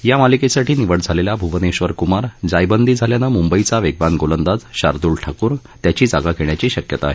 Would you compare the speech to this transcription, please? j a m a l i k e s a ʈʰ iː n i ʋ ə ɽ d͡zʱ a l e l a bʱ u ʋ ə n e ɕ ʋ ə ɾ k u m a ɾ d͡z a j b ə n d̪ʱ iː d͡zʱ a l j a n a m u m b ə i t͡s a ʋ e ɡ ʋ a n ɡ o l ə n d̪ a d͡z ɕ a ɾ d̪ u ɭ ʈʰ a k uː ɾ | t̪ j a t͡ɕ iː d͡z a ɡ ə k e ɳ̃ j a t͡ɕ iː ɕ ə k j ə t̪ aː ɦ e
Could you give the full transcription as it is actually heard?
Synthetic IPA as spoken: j a m a l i k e s a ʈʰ iː n i ʋ ə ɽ d͡zʱ a l e l a bʱ u ʋ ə n e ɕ ʋ ə ɾ k u m a ɾ d͡z a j b ə n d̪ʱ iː d͡zʱ a l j a n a m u m b ə i t͡s a ʋ e ɡ ʋ a n ɡ o l ə n d̪ a d͡z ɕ a ɾ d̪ u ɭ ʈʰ a k uː ɾ | t̪ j a t͡ɕ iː d͡z a ɡ a k e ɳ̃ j a t͡ɕ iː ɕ ə k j ə t̪ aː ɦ e